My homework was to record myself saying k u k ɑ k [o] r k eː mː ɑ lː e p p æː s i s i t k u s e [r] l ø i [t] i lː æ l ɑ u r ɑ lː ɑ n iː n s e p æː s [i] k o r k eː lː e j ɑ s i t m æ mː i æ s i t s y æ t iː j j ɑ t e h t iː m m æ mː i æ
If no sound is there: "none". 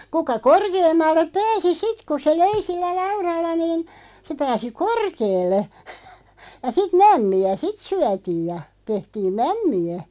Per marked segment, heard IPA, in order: o, none, s, i

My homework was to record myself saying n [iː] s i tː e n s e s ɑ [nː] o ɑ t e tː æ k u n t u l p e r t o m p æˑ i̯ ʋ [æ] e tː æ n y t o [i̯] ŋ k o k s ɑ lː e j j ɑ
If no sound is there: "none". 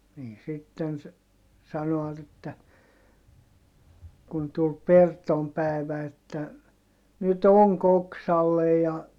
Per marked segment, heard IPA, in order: iː, n, æ, none

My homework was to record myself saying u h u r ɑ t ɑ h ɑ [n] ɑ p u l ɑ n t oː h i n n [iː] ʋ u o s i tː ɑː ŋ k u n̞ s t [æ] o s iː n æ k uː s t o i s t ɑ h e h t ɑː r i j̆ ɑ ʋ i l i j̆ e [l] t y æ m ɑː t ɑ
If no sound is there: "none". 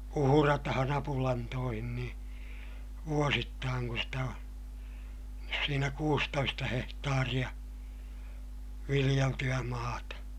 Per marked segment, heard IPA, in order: n, iː, æ, l

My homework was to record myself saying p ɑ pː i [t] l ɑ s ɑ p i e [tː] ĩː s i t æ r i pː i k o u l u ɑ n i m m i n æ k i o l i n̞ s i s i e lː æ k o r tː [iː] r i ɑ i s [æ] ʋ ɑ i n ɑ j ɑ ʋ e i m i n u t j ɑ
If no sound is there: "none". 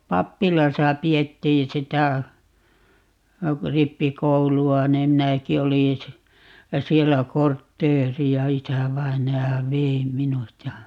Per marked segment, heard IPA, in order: none, tː, eː, æ

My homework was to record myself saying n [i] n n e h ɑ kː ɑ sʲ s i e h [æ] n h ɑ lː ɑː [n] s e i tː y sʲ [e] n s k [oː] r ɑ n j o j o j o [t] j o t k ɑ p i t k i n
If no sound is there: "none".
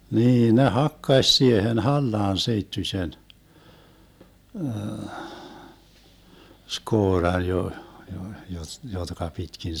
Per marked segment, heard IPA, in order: iː, e, n, e, oː, t

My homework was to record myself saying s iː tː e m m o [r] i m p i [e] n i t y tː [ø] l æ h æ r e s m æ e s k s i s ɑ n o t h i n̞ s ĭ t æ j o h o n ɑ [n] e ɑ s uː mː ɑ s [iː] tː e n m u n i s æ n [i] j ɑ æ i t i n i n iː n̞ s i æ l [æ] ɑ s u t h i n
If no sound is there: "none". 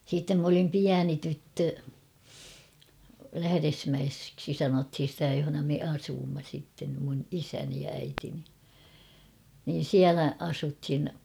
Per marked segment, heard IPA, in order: l, æ, ø, m, i, i, æ

